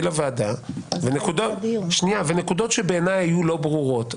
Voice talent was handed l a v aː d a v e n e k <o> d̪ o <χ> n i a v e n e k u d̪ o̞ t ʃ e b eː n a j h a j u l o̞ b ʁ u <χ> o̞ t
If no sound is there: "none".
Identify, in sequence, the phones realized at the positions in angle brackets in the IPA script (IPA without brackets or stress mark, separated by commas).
u, ʃ, ʁ